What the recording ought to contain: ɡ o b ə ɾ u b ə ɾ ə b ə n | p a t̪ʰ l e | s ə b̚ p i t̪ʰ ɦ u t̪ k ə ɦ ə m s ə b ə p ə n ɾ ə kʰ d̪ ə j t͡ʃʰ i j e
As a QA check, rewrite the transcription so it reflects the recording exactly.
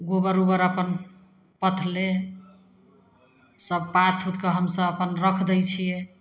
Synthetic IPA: ɡ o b ə ɾ u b ə ɾ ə p ə n | p ə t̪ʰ l e | s ə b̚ p a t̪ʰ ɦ u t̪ k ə ɦ ə m s ə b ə p ə n ɾ ə kʰ d̪ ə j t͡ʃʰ i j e

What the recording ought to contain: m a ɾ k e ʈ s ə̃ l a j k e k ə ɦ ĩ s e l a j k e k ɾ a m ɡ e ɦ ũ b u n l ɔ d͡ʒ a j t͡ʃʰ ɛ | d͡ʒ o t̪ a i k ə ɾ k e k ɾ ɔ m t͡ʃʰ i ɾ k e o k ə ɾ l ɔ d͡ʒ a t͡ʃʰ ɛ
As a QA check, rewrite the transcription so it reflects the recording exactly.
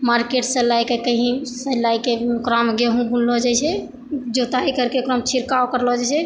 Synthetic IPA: m a ɾ k e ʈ s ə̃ l a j k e k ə ɦ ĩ s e l a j k e k ɾ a m ɡ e ɦ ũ b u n l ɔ d͡ʒ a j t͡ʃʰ ɛ | d͡ʒ o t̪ a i k ə ɾ k e k ɾ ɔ m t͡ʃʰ i ɾ k a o k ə ɾ l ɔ d͡ʒ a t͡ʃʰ ɛ

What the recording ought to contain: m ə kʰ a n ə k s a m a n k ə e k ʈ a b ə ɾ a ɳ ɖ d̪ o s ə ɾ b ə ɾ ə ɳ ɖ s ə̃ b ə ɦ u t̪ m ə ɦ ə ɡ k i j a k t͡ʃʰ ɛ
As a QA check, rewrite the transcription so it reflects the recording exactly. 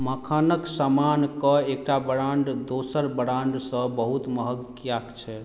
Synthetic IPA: m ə kʰ a n ə k s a m a n k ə e k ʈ a b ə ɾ a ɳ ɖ d̪ o s ə ɾ b ə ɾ a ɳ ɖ s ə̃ b ə ɦ u t̪ m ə ɦ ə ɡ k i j a k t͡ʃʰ ɛ

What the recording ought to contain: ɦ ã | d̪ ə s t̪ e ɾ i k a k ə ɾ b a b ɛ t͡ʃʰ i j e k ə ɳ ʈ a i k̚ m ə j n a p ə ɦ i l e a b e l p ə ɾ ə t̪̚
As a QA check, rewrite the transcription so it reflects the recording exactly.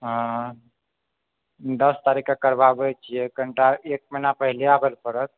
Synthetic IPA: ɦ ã | d̪ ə s t̪ a ɾ i k a k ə ɾ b a b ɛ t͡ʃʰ i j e k ə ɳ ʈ a e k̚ m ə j n a p ə ɦ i l e a b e l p ə ɾ ə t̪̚

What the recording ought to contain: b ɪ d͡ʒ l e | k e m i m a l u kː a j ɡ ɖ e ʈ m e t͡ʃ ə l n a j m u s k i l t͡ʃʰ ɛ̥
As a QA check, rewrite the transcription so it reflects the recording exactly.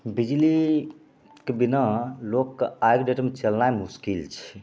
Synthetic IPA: b i d͡ʒ l i | k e b i n a l o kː a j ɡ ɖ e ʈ m e t͡ʃ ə l n a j m u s k i l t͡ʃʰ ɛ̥

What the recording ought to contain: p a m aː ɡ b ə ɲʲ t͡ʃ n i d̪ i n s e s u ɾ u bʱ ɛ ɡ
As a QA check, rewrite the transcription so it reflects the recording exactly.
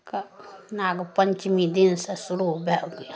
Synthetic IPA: k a n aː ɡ p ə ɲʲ t͡ʃ m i d̪ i n s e s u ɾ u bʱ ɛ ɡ

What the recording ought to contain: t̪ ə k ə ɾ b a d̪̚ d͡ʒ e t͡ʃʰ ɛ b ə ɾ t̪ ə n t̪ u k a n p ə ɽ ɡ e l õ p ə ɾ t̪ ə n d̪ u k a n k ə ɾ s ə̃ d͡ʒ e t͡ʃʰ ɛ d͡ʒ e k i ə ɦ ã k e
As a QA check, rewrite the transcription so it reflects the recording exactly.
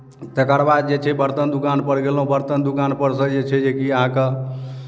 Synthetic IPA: t̪ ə k ə ɾ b a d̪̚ d͡ʒ e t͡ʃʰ ɛ b ə ɾ t̪ ə n d̪ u k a n p ə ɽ ɡ e l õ b ə ɾ t̪ ə n d̪ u k a n p ə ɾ s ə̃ d͡ʒ e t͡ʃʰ ɛ d͡ʒ e k i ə ɦ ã k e

